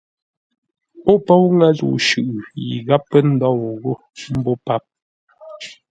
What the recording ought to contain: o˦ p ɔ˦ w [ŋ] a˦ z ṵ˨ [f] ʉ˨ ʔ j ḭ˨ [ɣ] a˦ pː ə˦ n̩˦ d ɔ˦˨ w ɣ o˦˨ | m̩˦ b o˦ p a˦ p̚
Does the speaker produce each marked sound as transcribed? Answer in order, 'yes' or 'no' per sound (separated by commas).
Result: yes, no, yes